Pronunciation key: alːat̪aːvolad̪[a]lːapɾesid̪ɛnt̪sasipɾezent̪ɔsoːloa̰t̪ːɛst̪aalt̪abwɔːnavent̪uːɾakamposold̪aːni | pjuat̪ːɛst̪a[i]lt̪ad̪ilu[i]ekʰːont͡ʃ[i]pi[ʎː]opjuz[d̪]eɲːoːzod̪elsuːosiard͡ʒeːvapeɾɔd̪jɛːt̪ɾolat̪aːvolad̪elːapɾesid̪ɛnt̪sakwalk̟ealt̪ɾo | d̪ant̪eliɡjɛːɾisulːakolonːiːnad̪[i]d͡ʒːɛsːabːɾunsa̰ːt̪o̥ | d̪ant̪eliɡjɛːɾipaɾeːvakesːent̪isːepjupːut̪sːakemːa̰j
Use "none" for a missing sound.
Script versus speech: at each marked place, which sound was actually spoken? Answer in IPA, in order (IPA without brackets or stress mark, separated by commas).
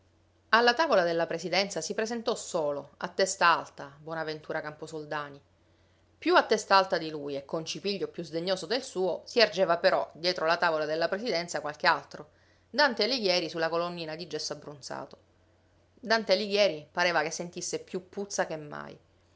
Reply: e, a, j, i, ʎː, d̪, i